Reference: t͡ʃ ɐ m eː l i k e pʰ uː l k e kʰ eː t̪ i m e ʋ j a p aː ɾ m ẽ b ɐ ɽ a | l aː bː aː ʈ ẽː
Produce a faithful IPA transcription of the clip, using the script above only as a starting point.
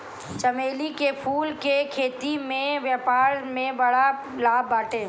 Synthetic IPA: t͡ʃ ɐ m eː l i k e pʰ uː l k e kʰ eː t̪ i m ẽ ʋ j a p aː ɾ m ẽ b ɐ ɽ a | l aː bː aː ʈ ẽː